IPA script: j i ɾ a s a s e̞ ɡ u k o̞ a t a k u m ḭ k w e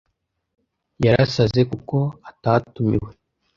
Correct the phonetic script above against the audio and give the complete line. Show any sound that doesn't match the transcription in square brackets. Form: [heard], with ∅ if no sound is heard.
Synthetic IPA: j [a] ɾ a s a [z] e̞ [k] u k o̞ a t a [t] u m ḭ [∅] w e